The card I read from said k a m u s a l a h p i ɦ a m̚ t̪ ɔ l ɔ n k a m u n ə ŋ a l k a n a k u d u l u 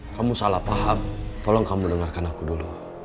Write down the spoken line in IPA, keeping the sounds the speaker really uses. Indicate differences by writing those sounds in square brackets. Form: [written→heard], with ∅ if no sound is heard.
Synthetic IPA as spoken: k a m u s a l a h p [i→a] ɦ a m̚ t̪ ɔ l ɔ [n→ŋ] k a m u [n→d] ə ŋ a [l→r] k a n a k u d u l u